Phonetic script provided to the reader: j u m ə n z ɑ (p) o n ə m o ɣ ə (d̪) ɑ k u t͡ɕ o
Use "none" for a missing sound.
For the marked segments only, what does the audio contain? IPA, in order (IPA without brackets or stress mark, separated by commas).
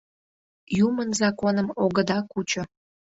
k, d̪